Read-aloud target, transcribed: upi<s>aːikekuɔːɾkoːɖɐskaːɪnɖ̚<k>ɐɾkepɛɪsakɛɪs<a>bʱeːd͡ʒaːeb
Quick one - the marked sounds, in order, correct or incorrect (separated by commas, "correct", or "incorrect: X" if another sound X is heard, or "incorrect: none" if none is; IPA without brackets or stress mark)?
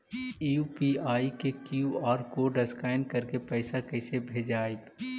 incorrect: none, correct, incorrect: e